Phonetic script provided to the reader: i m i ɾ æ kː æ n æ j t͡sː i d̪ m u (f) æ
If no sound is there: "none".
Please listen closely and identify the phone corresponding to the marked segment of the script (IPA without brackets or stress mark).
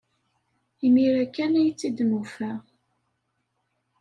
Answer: f